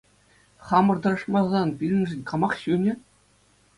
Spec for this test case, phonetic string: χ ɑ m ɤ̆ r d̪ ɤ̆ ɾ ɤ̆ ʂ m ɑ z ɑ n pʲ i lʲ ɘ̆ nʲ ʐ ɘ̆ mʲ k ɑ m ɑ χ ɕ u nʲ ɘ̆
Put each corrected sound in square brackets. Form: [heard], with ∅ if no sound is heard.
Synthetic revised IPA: χ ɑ m ɤ̆ r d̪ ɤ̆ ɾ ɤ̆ ʂ m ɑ z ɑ n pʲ i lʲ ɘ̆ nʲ ʐ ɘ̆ [nʲ] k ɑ m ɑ χ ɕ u nʲ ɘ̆